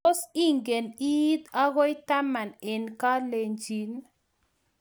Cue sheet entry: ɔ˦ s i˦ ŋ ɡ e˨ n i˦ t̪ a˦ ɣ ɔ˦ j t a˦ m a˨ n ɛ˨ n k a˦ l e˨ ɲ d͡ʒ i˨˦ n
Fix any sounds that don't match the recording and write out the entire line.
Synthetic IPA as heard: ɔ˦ s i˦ ŋ ɡ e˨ n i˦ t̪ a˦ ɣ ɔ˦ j t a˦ m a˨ n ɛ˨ n k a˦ l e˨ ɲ d͡ʒ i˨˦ n

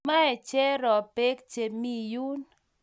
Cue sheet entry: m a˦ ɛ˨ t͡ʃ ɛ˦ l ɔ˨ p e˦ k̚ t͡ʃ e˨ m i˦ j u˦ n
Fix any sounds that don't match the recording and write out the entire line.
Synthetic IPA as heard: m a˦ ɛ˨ t͡ʃ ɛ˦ ɾ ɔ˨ p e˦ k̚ t͡ʃ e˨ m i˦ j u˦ n

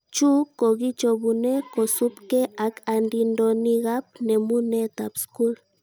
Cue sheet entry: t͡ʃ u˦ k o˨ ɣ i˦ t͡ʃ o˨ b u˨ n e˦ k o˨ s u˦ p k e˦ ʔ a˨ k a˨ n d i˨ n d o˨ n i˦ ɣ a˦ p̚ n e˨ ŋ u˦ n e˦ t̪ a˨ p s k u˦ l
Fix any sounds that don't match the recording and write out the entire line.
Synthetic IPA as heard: t͡ʃ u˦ k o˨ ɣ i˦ t͡ʃ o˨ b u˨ n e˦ k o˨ s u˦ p k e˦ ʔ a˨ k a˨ n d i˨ n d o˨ n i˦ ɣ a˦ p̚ n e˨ m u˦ n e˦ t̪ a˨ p s k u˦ l

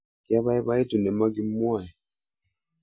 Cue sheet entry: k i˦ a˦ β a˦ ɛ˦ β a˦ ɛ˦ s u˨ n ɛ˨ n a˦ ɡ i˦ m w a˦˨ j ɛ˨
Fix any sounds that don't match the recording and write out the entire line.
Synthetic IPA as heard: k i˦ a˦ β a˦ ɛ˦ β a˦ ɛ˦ t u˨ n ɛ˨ m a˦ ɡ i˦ m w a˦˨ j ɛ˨

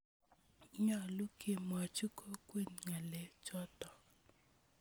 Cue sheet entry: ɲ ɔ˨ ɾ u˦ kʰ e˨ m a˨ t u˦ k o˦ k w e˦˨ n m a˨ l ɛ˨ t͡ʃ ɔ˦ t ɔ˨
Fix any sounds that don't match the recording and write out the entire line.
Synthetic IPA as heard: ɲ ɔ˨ l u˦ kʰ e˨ m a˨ t͡ʃ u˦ k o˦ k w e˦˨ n ŋ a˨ l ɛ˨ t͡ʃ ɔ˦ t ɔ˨

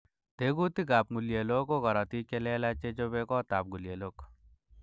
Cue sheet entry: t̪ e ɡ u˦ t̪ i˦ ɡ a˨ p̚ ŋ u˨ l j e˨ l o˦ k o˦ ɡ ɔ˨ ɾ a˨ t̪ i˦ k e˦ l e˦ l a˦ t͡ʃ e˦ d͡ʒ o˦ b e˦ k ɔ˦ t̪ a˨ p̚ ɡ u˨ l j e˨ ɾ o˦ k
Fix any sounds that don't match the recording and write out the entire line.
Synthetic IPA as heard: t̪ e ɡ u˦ t̪ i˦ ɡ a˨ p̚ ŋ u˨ l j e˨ l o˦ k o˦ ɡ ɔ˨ ɾ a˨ t̪ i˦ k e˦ l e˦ l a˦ t͡ʃ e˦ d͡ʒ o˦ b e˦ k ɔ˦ t̪ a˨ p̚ ɡ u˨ l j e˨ l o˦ k

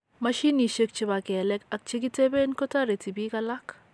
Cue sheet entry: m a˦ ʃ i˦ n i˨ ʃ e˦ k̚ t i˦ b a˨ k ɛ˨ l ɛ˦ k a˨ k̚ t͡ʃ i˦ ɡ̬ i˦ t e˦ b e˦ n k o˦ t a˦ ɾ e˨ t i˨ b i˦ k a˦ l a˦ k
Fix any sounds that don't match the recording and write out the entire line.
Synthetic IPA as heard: m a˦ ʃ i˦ n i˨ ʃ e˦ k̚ t͡ʃ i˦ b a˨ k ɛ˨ l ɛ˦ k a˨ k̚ t͡ʃ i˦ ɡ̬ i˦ t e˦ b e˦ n k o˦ t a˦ ɾ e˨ t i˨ b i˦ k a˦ l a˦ k

